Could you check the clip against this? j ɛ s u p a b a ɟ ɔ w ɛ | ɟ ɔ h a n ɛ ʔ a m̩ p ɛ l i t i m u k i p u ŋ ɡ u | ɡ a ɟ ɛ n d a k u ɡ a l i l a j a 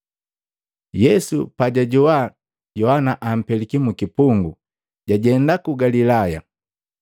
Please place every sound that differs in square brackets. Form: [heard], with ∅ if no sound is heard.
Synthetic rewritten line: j ɛ s u p a [ɟ] a ɟ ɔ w [a] | ɟ ɔ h a n [a] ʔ a m̩ p ɛ l i [k] i m u k i p u ŋ ɡ u | [ɟ] a ɟ ɛ n d a k u ɡ a l i l a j a